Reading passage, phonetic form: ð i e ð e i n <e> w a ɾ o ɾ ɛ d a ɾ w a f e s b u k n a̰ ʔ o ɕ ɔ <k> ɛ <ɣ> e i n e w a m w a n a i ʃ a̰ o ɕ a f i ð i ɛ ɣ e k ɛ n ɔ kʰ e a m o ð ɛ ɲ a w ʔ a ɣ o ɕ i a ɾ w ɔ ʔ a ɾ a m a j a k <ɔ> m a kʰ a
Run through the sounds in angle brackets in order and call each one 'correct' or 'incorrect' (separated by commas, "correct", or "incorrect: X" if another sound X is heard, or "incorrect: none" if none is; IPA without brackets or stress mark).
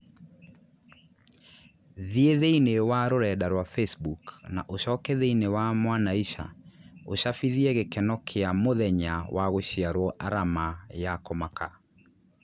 correct, correct, incorrect: ð, correct